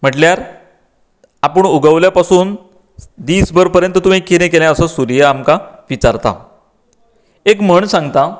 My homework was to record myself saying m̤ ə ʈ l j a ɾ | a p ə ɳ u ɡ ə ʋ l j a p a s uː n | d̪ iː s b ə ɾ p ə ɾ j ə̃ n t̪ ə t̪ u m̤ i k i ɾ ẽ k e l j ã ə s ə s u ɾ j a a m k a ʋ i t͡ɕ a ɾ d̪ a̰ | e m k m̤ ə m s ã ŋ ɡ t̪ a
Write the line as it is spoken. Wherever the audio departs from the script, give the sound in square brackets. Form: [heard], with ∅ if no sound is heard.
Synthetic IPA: m̤ ə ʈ l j a ɾ | a p ə ɳ u ɡ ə ʋ l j a p a s uː n | d̪ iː s b ə ɾ p ə ɾ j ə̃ n t̪ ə t̪ u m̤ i k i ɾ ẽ k e l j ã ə s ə s u ɾ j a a m k a ʋ i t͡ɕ a ɾ [t̪] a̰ | e [∅] k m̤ ə [ɳ] s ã ŋ ɡ t̪ a